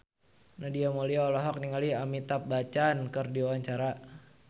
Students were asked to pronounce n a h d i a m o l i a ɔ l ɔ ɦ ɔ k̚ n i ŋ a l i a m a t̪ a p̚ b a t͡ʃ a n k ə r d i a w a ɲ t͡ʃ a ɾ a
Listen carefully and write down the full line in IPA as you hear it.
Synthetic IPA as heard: n a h d i a m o l i a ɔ l ɔ ɦ ɔ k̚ n i ŋ a l i a m i t̪ a p̚ b a t͡ʃ a n k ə r d i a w a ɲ t͡ʃ a ɾ a